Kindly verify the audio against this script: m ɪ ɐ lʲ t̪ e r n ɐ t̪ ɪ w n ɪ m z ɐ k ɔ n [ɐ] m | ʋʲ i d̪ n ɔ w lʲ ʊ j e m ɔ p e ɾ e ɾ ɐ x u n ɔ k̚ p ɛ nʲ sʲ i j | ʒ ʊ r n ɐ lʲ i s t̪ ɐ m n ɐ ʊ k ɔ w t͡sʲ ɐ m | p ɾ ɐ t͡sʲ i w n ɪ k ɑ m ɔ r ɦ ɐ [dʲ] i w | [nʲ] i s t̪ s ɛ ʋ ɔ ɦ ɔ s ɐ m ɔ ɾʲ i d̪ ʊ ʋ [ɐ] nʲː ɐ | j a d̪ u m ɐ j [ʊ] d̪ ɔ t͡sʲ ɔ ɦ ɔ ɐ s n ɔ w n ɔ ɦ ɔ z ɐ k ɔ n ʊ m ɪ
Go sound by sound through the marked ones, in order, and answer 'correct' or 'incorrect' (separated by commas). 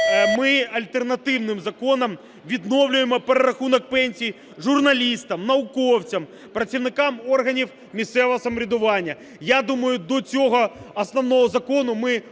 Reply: correct, incorrect, incorrect, incorrect, correct